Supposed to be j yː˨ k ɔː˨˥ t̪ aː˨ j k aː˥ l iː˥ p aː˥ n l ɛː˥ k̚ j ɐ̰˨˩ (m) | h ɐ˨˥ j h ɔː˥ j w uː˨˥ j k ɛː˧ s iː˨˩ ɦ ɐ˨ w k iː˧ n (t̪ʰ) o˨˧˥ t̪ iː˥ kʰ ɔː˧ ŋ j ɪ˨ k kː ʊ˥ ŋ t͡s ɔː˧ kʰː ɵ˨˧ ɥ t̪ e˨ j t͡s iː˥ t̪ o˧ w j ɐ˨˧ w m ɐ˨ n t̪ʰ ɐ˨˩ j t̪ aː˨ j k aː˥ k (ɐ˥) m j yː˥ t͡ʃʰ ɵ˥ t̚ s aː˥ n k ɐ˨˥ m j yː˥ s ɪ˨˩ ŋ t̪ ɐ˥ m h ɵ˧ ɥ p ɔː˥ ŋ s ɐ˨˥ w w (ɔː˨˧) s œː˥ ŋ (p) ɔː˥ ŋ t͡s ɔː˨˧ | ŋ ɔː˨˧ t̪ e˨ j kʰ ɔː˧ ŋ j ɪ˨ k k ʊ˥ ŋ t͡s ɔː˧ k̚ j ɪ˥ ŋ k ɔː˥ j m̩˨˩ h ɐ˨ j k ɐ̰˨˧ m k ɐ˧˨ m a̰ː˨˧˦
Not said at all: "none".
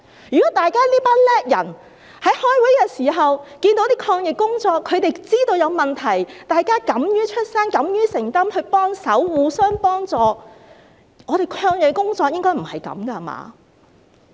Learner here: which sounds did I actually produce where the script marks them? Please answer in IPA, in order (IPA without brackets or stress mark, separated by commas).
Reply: n, t̪, ɐ˨˥, uː˨˧, p